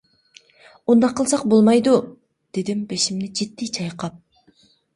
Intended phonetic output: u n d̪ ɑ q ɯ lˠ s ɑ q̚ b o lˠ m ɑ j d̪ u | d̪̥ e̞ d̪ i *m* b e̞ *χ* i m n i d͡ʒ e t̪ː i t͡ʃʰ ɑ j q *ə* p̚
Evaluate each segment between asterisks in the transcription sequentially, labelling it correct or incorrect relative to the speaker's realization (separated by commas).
correct, incorrect, incorrect